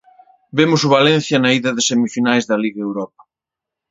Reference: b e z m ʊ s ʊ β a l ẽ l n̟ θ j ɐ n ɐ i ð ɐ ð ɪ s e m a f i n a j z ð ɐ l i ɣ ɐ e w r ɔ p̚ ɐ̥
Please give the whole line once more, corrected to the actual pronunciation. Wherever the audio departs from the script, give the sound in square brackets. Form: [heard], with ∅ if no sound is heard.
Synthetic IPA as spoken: b e [∅] m ʊ s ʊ β a l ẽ [∅] n̟ θ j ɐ n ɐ i ð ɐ ð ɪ s e m [i] f i n a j z ð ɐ l i ɣ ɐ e w [ɾ] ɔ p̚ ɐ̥